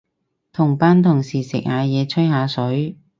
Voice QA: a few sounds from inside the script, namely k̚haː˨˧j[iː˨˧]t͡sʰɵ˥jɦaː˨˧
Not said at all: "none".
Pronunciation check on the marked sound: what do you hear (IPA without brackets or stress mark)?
ɛː˨˧